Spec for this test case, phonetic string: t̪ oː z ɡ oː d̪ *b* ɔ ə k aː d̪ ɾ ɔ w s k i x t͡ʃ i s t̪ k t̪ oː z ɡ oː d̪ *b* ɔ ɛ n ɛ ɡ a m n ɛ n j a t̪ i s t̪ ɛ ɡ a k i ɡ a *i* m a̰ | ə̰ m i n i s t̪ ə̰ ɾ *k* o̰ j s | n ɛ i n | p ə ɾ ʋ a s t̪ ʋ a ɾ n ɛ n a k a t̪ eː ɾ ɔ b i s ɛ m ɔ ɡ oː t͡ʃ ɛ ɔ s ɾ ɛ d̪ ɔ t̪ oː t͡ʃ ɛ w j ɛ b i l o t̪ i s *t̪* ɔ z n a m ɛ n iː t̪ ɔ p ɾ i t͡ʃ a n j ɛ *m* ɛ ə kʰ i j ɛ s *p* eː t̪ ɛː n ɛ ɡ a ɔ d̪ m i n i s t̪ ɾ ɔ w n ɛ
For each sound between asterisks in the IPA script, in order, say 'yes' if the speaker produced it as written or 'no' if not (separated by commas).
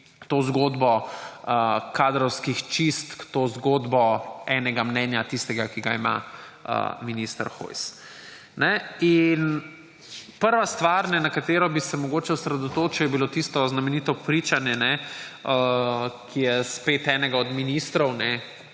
yes, yes, yes, no, yes, no, yes